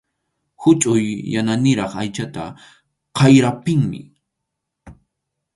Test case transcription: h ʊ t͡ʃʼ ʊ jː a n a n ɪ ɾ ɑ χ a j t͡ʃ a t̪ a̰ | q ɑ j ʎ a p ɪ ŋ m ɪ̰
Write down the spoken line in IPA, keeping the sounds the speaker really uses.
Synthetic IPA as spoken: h ʊ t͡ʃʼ ʊ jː a n a n ɪ ɾ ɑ χ a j t͡ʃ a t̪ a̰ | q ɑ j ɾ a p ɪ ŋ m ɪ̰